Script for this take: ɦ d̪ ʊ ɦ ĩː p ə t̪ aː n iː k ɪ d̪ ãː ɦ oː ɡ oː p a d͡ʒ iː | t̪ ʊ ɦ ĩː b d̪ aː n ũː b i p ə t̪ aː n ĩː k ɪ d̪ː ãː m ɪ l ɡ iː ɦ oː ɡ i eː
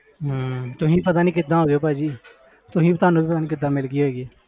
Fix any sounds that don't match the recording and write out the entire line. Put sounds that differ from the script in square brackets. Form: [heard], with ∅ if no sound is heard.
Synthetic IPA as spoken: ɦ [t̪] ʊ ɦ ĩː p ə t̪ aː n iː k ɪ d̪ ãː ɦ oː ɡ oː p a d͡ʒ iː | t̪ ʊ ɦ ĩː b [t̪] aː n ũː b i p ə t̪ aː n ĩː k ɪ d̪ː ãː m ɪ l ɡ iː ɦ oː ɡ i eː